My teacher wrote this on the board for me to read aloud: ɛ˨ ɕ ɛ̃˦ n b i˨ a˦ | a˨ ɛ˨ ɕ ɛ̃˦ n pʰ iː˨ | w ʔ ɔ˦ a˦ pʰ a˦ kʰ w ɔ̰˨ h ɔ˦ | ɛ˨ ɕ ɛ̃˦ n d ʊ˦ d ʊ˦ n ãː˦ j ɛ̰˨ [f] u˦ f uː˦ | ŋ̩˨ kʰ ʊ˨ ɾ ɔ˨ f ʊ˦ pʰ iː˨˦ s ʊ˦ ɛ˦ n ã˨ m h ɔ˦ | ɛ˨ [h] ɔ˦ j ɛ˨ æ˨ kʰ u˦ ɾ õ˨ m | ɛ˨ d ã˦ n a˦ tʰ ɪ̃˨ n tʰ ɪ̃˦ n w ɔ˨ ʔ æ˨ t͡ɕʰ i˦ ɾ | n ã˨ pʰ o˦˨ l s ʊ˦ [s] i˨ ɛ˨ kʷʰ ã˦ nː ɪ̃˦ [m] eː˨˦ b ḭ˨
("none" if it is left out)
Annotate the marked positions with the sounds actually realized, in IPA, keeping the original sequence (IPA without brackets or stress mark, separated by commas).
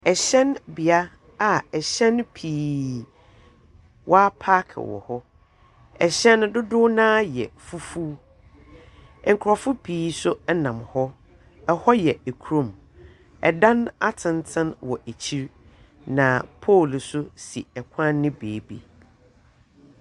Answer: f, h, s, b